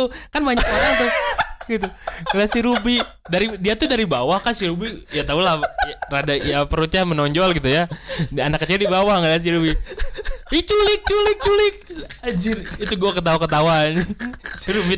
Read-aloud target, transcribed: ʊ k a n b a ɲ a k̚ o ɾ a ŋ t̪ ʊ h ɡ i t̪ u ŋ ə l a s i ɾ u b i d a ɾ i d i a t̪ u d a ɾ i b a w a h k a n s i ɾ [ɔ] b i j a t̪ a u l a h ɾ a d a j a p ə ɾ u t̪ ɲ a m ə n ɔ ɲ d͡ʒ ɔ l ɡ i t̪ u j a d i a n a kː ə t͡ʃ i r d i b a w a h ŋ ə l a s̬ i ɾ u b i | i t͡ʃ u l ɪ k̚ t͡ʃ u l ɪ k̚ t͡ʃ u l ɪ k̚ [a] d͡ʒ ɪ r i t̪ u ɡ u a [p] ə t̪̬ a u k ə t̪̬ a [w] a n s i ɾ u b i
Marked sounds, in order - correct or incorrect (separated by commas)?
incorrect, correct, incorrect, correct